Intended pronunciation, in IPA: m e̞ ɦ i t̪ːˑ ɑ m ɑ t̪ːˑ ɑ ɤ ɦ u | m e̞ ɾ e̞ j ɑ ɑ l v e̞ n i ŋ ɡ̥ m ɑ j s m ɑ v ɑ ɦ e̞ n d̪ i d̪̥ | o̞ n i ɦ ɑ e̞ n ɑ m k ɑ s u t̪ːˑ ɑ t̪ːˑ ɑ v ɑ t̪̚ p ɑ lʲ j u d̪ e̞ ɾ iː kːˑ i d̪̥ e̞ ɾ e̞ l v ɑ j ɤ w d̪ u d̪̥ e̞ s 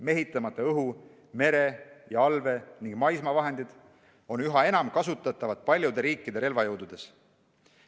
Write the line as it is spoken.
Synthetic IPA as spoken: m e̞ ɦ i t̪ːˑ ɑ m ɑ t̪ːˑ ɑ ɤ ɦ u | m e̞ ɾ e̞ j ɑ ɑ l v e̞ n i ŋ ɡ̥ m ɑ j s m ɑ v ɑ ɦ e̞ n d̪ i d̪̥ | o̞ n y ɦ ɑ e̞ n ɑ m k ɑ s u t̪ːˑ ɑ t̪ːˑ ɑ v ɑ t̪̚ p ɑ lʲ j u d̪ e̞ ɾ iː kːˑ i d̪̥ e̞ ɾ e̞ l v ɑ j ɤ w d̪ u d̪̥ e̞ s